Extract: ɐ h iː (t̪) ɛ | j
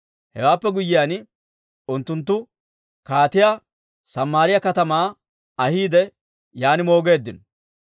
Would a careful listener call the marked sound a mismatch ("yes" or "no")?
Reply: yes